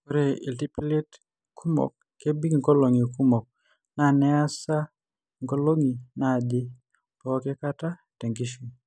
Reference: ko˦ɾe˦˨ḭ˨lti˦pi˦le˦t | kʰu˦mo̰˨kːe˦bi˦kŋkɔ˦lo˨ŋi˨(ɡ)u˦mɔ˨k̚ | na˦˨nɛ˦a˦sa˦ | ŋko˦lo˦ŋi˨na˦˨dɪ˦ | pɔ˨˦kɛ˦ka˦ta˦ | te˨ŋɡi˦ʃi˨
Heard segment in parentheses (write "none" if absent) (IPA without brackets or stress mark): k